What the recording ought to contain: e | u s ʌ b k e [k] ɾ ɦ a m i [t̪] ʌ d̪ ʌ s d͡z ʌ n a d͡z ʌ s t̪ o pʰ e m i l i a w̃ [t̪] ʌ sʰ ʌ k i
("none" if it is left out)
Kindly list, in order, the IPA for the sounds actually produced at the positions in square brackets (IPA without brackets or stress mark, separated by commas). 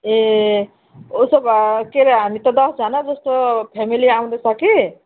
none, t̪, d̪